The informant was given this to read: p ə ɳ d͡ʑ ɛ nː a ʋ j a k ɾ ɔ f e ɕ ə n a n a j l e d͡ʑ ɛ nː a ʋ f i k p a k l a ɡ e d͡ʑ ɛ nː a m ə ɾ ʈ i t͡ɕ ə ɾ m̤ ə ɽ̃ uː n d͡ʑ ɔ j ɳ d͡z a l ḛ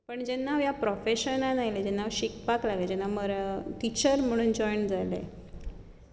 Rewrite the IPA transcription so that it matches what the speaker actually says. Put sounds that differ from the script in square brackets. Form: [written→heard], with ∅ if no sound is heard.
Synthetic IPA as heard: p ə ɳ d͡ʑ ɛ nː a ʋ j a [k→p] ɾ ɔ f e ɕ ə n a n a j l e d͡ʑ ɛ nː a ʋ [f→ɕ] i k p a k l a ɡ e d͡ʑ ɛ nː a m ə ɾ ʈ i t͡ɕ ə ɾ m̤ ə ɽ̃ uː n d͡ʑ ɔ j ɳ d͡z a l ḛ